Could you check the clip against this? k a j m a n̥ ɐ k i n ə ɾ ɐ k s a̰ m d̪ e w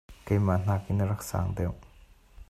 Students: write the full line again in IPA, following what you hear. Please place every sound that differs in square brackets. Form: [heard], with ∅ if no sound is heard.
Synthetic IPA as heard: k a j m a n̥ [a] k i n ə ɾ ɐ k s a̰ [ŋ] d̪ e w